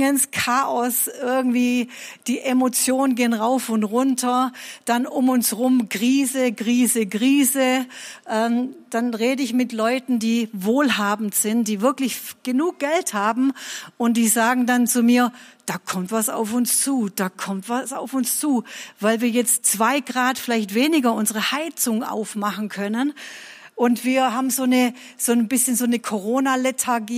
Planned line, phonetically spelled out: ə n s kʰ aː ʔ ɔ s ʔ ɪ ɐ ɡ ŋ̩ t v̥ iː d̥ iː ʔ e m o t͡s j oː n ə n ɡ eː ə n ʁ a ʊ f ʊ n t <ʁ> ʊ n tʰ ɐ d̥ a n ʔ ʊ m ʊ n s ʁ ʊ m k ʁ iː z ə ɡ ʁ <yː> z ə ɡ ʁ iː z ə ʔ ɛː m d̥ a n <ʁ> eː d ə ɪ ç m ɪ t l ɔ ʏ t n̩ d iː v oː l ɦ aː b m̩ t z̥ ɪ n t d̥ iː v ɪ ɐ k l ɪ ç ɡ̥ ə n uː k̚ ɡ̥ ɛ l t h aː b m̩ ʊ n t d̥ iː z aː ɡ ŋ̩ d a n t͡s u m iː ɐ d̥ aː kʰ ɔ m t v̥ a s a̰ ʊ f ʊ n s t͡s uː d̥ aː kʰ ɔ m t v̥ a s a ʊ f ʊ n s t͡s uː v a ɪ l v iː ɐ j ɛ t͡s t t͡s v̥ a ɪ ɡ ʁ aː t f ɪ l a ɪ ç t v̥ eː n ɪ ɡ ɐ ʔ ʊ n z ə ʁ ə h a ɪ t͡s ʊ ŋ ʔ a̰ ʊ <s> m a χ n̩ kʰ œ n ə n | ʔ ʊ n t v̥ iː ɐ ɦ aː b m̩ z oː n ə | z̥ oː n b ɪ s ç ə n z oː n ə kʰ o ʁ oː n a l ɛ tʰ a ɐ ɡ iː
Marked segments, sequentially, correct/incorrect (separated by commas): correct, incorrect, correct, incorrect